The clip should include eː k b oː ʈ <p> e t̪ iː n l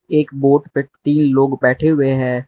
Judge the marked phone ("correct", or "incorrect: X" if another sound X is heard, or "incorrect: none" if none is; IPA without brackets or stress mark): correct